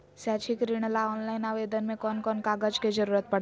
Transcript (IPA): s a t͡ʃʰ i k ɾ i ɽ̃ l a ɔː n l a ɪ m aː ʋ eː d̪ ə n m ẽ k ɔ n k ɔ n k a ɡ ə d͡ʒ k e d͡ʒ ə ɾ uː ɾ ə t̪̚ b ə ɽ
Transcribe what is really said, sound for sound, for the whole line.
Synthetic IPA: s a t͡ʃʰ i k ɾ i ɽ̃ l a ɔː n l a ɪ n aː ʋ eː d̪ ə n m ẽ k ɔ n k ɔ n k a ɡ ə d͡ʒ k e d͡ʒ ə ɾ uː ɾ ə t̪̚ p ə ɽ